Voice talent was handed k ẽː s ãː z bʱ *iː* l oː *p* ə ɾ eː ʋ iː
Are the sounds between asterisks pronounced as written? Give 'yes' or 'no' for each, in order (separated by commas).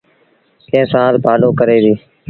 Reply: no, no